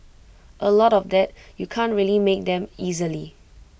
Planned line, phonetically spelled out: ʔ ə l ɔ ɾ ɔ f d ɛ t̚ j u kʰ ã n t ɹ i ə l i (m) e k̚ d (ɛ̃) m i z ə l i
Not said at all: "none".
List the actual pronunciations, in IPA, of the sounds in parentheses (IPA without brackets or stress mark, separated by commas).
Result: m, ɛ̃